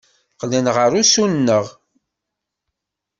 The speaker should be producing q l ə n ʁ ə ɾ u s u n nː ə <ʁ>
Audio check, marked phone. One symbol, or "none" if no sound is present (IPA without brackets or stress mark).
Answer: ʁ